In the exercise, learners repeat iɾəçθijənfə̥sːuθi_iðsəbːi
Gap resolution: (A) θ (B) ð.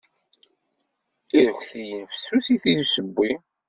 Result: A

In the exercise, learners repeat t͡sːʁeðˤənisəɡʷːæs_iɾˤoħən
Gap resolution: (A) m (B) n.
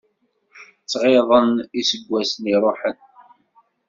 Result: B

